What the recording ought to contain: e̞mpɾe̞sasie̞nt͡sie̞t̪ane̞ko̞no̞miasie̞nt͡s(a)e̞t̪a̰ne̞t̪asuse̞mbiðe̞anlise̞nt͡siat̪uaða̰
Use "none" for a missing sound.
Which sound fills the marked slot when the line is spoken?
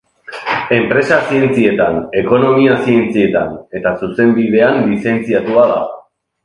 i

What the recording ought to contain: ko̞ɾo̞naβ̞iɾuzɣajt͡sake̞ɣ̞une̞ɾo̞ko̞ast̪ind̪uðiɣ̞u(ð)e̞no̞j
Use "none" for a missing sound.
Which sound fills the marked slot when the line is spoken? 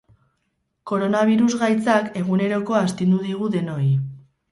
ð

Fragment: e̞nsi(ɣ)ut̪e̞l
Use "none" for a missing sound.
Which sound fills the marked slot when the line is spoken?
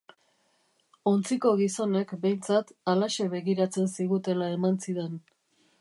ɣ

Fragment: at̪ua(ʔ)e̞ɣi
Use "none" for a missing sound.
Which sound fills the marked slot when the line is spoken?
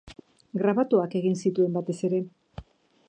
k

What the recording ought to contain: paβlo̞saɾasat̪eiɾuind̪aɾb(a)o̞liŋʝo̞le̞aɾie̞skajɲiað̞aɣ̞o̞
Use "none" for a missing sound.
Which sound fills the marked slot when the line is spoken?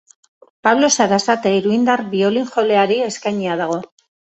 i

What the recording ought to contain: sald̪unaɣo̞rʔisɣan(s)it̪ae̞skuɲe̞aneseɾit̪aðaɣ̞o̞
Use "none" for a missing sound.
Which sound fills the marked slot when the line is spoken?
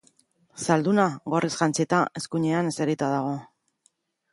t͡s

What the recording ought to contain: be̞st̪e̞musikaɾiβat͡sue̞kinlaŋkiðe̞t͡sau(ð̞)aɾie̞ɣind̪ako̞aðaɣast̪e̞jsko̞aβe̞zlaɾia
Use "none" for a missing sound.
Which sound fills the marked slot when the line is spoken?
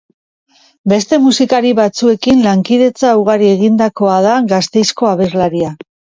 ɣ̞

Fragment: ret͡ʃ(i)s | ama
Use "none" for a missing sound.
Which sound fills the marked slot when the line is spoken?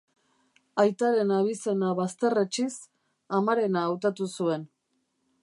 i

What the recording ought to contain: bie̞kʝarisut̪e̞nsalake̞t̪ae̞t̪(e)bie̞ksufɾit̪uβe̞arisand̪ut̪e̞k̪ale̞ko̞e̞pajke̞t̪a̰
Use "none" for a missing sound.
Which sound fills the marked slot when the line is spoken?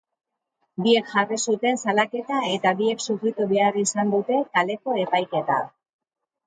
a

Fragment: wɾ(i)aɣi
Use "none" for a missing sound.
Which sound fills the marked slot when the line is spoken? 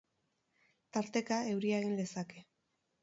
i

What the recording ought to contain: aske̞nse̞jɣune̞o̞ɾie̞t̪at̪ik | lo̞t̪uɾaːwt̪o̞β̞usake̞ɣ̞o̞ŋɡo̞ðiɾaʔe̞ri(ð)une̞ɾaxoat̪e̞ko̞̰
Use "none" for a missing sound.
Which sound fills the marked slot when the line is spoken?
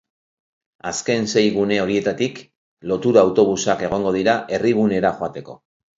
ɣ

